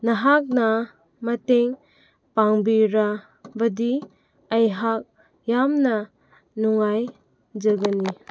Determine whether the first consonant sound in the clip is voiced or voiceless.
voiced